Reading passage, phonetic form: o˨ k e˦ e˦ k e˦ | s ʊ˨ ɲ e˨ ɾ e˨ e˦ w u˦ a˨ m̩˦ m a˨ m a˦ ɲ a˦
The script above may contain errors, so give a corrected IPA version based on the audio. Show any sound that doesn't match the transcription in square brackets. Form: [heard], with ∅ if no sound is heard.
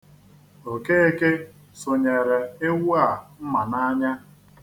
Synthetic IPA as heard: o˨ k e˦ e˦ k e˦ | s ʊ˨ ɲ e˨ ɾ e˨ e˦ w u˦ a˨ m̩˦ m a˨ [n] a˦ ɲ a˦

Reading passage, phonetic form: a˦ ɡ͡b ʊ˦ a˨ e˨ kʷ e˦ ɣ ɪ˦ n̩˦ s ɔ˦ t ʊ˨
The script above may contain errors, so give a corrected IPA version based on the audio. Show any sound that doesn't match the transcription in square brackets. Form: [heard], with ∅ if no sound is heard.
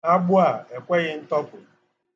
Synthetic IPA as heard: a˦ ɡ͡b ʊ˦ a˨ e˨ kʷ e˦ ɣ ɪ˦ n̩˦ [t] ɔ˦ [p] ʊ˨

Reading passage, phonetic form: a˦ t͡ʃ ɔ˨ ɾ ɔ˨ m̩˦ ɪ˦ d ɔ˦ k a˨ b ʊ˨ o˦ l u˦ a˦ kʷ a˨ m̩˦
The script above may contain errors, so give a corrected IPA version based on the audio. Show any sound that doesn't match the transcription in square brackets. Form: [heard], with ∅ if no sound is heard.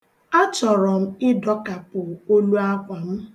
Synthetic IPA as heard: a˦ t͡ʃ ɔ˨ ɾ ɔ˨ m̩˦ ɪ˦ d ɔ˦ k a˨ [p] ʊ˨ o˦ l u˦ a˦ kʷ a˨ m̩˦

